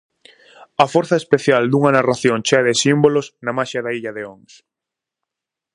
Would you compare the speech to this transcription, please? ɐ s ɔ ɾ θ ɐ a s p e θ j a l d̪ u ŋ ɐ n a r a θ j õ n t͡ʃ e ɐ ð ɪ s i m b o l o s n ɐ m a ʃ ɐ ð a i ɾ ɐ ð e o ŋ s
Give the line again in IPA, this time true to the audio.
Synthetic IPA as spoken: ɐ f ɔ ɾ θ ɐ e s p e θ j a l d̪ u ŋ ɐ n a r a θ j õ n t͡ʃ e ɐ ð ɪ s i m b o l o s n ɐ m a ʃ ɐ ð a i ʎ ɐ ð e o ŋ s